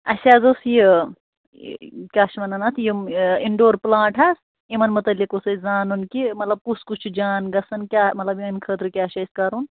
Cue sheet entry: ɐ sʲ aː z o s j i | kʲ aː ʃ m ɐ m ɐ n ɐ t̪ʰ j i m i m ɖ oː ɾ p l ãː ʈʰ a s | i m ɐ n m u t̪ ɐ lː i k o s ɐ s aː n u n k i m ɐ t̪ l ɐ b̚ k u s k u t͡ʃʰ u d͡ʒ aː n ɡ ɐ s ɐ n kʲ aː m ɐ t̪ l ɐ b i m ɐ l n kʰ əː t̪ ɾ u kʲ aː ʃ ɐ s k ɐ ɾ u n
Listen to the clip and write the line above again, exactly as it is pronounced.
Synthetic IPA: ɐ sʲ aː z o s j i | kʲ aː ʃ m ɐ n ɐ n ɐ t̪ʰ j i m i ɳ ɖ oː ɾ p l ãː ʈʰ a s | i m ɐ n m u t̪ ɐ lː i k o s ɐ z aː n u n k i m ɐ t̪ l ɐ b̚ k u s k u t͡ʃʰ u d͡ʒ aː n ɡ ɐ s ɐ n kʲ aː m ɐ t̪ l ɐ b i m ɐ n kʰ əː t̪ ɾ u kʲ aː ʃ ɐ s k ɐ ɾ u n